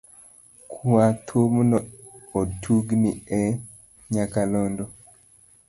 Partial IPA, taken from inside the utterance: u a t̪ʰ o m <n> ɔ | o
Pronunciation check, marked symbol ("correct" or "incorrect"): correct